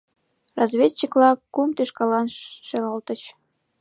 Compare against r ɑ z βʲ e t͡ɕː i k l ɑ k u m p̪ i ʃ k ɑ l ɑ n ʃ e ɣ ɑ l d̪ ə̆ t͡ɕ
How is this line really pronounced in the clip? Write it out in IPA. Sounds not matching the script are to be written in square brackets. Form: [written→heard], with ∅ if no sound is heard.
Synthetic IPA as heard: r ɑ z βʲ e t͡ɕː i k l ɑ k u m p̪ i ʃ k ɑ l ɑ n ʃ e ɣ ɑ l [d̪→t̪] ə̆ t͡ɕ